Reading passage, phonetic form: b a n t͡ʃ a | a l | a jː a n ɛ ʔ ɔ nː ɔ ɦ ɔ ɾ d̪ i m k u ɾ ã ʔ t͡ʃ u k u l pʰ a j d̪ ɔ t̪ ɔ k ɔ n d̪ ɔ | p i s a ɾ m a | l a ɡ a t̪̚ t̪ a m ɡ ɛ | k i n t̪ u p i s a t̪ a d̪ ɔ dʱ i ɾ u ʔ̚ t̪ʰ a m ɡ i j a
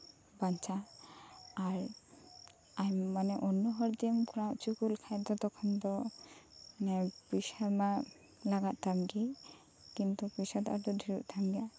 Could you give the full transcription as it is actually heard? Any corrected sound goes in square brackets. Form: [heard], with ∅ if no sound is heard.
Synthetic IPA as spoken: b a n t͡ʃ a | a [ɾ] | a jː a n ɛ ʔ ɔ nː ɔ ɦ ɔ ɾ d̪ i m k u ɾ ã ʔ t͡ʃ u k u l [kʰ] a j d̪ ɔ t̪ ɔ [kʰ] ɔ n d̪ ɔ | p i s a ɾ m a | l a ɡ a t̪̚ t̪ a m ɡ [i] | k i n t̪ u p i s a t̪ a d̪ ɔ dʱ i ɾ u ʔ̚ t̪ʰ a m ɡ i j a